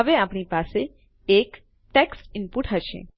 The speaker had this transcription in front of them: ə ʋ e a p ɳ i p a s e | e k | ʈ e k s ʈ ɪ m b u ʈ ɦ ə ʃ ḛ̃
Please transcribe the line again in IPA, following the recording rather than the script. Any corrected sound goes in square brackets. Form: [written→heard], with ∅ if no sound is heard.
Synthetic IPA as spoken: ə ʋ e a p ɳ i p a s e | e k | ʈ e k s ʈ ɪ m [b→p] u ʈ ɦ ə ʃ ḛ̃